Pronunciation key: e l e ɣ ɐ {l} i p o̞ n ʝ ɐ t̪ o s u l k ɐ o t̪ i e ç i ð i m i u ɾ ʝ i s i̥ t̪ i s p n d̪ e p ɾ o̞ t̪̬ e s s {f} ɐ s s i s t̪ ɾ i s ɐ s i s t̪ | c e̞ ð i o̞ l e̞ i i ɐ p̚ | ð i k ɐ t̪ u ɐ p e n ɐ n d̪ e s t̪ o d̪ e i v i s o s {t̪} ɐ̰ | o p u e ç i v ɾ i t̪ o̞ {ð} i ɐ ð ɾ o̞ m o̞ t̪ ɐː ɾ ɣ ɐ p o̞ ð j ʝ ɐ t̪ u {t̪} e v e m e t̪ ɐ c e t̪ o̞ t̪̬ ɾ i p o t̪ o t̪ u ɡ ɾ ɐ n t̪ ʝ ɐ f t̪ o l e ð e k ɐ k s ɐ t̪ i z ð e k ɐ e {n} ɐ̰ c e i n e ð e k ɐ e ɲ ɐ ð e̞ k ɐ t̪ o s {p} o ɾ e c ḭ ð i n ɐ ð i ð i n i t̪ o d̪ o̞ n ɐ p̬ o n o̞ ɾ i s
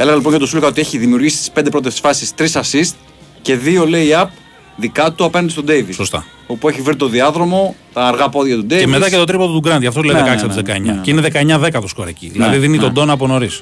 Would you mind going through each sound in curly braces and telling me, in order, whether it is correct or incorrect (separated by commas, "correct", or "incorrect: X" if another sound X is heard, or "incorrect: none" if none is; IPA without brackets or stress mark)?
correct, correct, correct, correct, incorrect: d̪, incorrect: ɲ, incorrect: k